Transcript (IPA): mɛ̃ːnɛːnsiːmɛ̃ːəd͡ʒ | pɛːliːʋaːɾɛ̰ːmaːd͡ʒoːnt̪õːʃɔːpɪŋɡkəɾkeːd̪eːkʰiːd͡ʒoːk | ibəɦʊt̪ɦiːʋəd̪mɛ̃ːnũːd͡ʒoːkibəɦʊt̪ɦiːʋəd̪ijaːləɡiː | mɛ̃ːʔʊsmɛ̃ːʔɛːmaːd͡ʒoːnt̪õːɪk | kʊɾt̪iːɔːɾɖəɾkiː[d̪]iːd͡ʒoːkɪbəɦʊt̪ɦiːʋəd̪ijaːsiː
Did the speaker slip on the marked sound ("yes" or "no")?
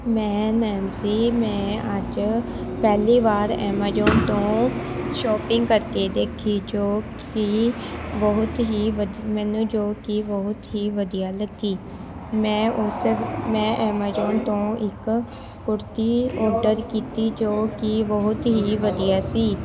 yes